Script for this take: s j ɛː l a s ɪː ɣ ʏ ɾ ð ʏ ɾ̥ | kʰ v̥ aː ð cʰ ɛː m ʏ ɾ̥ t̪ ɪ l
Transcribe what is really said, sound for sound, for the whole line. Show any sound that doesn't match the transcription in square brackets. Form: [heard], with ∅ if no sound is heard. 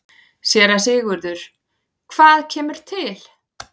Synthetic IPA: s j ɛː [ɾ] a s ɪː ɣ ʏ ɾ ð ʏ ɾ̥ | kʰ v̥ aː ð cʰ ɛː m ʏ ɾ̥ [t̪ʰ] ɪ l